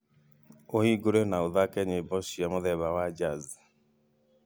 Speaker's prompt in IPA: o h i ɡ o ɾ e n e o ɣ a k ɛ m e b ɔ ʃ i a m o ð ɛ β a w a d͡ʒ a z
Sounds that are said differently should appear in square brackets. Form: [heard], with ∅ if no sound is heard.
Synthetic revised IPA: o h i ɡ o ɾ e n [a] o [ð] a k ɛ [ɲ] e b ɔ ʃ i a m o ð ɛ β a w a d͡ʒ a z